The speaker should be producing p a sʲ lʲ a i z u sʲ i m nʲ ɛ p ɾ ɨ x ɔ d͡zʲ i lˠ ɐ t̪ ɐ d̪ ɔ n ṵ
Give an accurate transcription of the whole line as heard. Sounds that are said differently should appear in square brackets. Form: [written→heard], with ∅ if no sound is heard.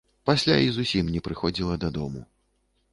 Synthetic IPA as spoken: p a sʲ lʲ a i z u sʲ i m nʲ ɛ p ɾ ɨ x ɔ d͡zʲ i lˠ ɐ [t̪→d̪] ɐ d̪ ɔ [n→m] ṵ